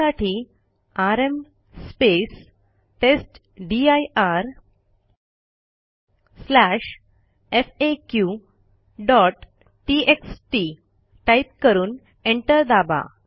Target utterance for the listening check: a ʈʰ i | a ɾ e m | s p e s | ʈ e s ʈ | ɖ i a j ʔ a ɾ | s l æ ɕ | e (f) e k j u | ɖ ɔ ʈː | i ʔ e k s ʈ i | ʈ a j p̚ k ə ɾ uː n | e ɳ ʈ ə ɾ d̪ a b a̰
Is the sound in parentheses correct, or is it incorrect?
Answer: correct